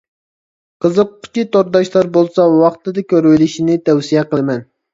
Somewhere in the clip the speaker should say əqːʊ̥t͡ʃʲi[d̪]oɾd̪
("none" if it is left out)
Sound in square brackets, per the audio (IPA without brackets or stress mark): t̪